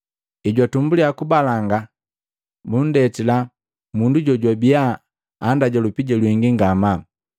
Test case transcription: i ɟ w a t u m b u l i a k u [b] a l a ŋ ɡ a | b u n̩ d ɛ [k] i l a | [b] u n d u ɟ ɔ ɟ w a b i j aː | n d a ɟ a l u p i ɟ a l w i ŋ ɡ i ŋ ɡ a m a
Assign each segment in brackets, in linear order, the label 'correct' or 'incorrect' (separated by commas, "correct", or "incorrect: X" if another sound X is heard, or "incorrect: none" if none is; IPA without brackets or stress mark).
correct, incorrect: t, incorrect: m